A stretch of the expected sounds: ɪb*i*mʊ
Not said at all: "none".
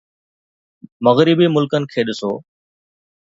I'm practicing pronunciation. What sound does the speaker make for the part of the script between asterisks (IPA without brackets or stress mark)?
iː